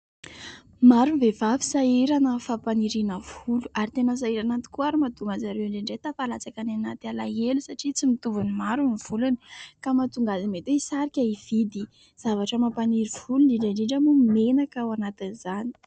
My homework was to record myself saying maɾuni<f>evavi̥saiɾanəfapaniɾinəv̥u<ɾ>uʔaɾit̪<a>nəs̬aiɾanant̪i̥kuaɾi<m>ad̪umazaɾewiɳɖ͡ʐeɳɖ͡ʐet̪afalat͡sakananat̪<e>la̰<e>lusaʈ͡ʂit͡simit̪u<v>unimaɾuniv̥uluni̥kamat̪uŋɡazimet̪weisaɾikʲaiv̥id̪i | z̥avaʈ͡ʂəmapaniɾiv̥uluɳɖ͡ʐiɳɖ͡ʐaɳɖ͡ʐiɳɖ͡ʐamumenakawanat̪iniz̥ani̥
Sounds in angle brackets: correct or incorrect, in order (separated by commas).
incorrect, incorrect, incorrect, correct, incorrect, correct, correct